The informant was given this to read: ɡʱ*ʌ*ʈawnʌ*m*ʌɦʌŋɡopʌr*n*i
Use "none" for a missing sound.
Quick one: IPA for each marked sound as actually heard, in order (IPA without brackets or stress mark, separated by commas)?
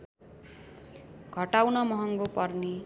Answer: ʌ, m, n